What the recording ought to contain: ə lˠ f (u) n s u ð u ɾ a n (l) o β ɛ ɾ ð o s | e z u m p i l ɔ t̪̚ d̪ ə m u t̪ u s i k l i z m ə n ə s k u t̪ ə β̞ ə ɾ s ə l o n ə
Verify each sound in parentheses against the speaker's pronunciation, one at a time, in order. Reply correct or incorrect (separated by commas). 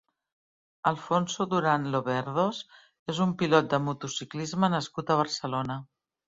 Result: incorrect, correct